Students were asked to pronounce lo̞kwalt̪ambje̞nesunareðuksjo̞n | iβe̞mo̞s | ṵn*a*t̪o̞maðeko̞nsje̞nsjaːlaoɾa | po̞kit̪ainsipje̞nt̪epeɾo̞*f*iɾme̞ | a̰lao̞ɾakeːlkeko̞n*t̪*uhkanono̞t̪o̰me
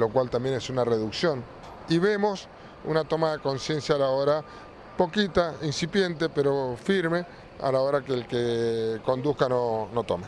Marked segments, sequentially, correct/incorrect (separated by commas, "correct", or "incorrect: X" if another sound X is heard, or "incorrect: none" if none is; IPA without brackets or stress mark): correct, correct, incorrect: d̪